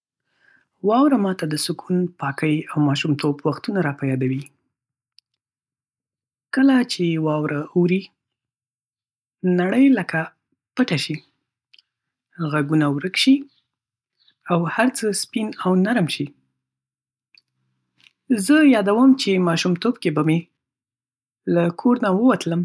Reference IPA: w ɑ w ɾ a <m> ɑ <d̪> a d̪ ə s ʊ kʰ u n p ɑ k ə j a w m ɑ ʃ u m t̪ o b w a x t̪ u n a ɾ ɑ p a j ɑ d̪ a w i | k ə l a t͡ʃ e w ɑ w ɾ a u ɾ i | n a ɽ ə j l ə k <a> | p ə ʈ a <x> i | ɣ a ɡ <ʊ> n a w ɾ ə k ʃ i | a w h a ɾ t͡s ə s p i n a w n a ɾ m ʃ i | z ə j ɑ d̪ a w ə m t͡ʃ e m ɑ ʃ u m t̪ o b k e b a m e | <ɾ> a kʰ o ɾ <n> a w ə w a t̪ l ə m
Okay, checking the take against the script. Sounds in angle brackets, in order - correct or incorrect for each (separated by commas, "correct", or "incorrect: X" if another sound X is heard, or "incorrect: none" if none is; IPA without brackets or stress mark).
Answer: correct, incorrect: t̪, correct, incorrect: ʃ, incorrect: u, incorrect: l, correct